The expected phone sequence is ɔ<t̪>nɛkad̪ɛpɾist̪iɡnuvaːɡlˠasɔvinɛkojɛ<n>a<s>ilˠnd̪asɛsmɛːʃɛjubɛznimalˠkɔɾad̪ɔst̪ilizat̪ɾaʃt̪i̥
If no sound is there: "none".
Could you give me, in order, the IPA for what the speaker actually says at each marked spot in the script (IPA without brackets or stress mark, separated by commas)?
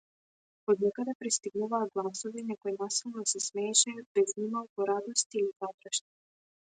d̪, n, s